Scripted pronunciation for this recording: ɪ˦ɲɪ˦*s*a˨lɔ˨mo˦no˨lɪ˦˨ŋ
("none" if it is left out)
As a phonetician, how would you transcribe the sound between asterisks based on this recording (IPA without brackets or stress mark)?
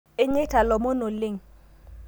t